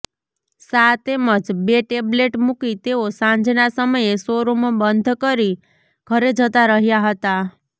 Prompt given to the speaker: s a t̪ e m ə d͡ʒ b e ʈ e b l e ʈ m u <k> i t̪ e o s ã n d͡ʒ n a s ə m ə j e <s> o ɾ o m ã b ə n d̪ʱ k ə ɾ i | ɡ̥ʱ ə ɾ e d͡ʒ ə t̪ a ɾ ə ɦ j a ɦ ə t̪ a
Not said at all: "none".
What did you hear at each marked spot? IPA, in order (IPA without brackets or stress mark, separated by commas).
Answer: k, s